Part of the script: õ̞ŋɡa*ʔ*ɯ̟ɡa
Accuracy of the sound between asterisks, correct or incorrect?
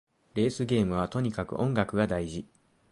incorrect